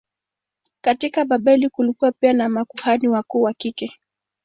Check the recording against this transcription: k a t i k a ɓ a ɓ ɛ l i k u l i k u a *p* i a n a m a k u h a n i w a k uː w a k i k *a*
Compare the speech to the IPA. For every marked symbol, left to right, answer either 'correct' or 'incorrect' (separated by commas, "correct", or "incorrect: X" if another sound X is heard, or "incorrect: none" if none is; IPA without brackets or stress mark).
correct, incorrect: ɛ